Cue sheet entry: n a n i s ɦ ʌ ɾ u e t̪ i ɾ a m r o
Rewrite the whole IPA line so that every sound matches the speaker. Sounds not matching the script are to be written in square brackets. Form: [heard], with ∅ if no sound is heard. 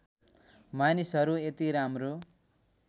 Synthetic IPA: [m] a n i s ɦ ʌ ɾ u e t̪ i ɾ a m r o